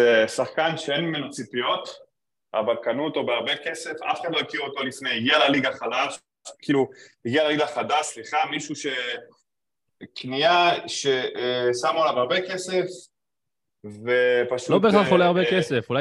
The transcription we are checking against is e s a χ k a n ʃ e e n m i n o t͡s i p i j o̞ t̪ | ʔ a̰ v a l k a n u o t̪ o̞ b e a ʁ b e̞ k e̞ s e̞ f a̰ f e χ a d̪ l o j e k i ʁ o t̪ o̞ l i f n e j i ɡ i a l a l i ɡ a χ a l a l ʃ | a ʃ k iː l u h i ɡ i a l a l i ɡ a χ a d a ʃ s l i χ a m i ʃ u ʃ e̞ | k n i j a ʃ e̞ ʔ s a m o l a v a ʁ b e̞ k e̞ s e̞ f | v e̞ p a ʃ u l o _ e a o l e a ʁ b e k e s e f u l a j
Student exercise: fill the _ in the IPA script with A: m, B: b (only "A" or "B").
B